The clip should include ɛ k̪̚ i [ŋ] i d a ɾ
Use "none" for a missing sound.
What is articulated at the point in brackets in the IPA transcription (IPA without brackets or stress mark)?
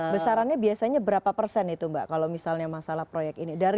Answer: n